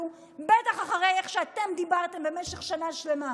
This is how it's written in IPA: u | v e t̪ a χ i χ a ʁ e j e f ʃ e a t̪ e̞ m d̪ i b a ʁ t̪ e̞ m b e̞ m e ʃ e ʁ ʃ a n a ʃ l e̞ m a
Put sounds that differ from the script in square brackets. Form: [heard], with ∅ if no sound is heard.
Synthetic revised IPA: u | [b] e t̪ a χ [a] χ a ʁ e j e [χ] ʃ e a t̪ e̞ m d̪ i b a ʁ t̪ e̞ m b e̞ m e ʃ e [χ] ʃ a n a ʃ l e̞ m a